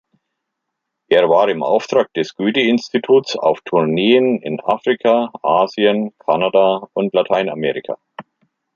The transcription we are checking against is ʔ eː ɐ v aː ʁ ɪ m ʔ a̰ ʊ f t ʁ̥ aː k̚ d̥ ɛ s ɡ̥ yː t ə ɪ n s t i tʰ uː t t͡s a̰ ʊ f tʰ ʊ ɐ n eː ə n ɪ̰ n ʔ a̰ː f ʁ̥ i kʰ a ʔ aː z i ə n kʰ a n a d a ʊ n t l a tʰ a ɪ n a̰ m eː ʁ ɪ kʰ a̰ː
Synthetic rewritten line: ʔ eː ɐ v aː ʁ ɪ m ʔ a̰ ʊ f t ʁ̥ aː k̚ d̥ ɛ s ɡ̥ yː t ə ɪ n s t i tʰ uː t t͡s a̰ ʊ f tʰ ʊ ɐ n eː ə n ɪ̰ n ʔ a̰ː f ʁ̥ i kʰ a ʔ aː z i ə n kʰ a n a d a ʊ n t l a tʰ a ɪ n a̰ m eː ʁ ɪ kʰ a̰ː

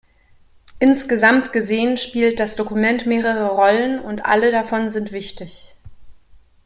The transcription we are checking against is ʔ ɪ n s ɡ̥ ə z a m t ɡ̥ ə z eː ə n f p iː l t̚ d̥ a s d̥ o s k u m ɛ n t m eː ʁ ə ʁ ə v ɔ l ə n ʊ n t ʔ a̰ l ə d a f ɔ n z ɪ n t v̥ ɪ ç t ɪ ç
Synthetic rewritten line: ʔ ɪ n s ɡ̥ ə z a m t ɡ̥ ə z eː ə n ʃ p iː l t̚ d̥ a s d̥ o k u m ɛ n t m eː ʁ ə ʁ ə ʁ ɔ l ə n ʊ n t ʔ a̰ l ə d a f ɔ n z ɪ n t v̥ ɪ ç t ɪ ç

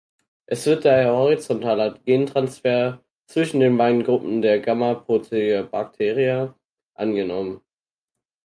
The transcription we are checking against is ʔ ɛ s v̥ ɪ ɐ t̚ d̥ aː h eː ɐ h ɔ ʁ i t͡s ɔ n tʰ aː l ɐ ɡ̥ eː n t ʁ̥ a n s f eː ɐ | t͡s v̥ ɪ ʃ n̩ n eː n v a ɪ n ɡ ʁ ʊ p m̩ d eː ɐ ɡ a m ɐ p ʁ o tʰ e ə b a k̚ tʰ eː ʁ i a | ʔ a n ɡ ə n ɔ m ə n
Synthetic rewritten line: ʔ ɛ s v̥ ɪ ɐ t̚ d̥ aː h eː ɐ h ɔ ʁ i t͡s ɔ n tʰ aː l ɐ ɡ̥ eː n t ʁ̥ a n s f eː ɐ | t͡s v̥ ɪ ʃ n̩ d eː n v a ɪ n ɡ ʁ ʊ p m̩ d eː ɐ ɡ a m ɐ p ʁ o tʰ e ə b a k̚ tʰ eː ʁ i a | ʔ a n ɡ ə n ɔ m ə n

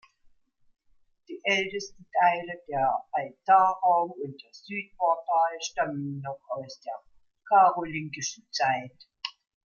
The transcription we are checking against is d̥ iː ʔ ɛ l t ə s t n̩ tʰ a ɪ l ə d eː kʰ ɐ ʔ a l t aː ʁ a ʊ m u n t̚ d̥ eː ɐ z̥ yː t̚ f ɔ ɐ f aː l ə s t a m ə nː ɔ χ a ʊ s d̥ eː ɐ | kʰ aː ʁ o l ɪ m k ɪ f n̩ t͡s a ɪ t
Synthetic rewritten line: d̥ iː ʔ ɛ l t ə s t n̩ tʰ a ɪ l ə d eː ɐ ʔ a l t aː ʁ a ʊ m ʊ n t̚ d̥ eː ɐ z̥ yː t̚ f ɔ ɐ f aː l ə ʃ t a m ə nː ɔ χ a ʊ s d̥ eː ɐ | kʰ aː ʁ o l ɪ ŋ k ɪ ʃ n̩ t͡s a ɪ t

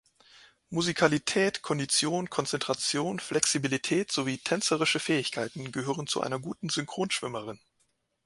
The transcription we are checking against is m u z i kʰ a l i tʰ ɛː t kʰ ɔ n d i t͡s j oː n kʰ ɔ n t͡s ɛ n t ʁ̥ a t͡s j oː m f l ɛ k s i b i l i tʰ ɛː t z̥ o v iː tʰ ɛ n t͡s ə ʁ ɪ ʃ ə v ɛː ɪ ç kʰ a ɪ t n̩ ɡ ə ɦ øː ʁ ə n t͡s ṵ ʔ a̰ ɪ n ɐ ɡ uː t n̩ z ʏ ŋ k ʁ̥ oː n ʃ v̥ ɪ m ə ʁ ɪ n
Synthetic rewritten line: m u z i kʰ a l i tʰ ɛː t kʰ ɔ n d i t͡s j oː n kʰ ɔ n t͡s ɛ n t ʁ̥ a t͡s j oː n f l ɛ k s i b i l i tʰ ɛː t z̥ o v iː tʰ ɛ n t͡s ə ʁ ɪ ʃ ə f ɛː ɪ ç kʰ a ɪ t n̩ ɡ ə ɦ øː ʁ ə n t͡s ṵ ʔ a̰ ɪ n ɐ ɡ uː t n̩ z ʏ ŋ k ʁ̥ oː n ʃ v̥ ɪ m ə ʁ ɪ n

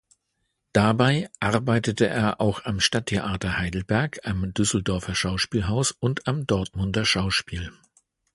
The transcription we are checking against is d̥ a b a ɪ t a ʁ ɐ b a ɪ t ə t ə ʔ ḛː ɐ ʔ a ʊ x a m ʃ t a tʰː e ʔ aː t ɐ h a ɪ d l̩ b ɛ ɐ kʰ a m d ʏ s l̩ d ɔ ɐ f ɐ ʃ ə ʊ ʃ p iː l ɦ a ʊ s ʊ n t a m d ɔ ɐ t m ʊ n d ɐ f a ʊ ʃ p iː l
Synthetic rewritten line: d̥ a b a ɪ ʔ a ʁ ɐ b a ɪ t ə t ə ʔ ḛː ɐ ʔ a ʊ x a m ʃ t a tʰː e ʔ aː t ɐ h a ɪ d l̩ b ɛ ɐ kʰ a m d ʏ s l̩ d ɔ ɐ f ɐ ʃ a ʊ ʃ p iː l ɦ a ʊ s ʊ n t a m d ɔ ɐ t m ʊ n d ɐ ʃ a ʊ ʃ p iː l

